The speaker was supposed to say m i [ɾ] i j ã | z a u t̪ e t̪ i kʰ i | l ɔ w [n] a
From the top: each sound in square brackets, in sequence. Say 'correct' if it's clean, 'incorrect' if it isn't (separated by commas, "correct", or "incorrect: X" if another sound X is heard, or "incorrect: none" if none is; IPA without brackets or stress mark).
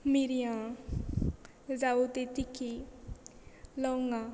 correct, incorrect: ŋ